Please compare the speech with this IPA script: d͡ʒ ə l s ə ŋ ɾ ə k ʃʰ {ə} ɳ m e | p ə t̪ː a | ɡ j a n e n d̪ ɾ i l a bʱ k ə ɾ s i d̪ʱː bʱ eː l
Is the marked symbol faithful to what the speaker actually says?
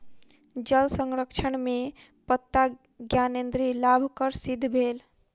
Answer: yes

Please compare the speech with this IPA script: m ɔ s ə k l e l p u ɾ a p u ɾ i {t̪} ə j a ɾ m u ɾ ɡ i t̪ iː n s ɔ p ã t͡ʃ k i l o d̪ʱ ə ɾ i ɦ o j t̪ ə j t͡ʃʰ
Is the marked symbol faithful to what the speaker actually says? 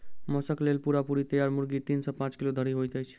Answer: yes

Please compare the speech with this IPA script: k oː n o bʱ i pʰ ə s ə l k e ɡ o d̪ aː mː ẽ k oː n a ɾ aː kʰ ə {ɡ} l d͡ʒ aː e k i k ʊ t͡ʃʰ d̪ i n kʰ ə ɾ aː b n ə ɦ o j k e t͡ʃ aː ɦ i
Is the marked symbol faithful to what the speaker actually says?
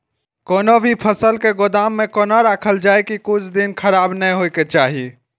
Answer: no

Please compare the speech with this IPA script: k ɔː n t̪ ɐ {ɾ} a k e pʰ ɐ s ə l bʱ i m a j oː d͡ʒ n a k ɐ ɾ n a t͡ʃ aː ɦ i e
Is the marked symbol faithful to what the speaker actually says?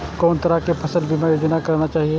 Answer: yes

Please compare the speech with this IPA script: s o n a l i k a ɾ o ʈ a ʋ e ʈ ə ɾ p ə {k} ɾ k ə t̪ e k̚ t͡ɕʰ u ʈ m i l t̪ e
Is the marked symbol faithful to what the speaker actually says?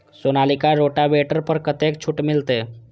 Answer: no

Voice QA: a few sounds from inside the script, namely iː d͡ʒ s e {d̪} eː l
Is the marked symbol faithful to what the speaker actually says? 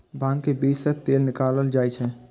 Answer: no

